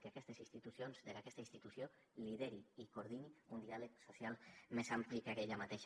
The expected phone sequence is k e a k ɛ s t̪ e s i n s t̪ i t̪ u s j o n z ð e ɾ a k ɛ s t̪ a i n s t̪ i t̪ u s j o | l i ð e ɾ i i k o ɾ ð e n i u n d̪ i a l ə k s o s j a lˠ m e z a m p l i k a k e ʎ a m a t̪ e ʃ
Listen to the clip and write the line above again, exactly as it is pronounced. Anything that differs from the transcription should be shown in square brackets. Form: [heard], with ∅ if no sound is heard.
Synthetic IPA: k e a k ɛ s t̪ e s i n s t̪ i t̪ u s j o n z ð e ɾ a k ɛ s t̪ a i n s t̪ i t̪ u s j o | l i ð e ɾ i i k o ɾ ð [i] n i u n d̪ i a l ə k s o s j a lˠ m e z a m p l i k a k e ʎ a m a t̪ e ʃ